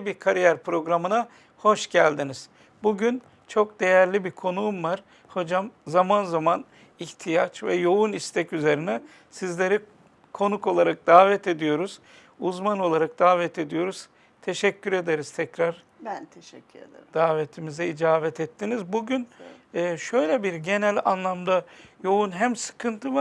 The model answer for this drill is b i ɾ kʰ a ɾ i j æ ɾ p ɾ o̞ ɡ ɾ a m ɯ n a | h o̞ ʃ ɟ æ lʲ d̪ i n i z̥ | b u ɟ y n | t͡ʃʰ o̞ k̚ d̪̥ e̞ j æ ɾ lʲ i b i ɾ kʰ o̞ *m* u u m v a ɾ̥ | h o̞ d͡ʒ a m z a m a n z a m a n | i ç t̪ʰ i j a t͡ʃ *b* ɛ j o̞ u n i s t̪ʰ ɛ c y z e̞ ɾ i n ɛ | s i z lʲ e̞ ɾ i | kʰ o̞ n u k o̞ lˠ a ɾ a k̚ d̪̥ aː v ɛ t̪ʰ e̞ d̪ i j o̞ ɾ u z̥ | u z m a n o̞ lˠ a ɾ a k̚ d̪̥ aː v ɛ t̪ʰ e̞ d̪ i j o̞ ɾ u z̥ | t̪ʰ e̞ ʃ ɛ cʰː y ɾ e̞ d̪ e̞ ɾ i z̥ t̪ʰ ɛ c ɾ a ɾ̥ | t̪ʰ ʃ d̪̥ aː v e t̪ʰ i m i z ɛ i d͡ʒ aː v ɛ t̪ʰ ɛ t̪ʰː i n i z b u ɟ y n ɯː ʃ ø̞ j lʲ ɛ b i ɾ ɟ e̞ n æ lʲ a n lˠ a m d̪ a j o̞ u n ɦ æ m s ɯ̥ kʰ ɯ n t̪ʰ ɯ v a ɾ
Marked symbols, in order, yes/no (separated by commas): no, no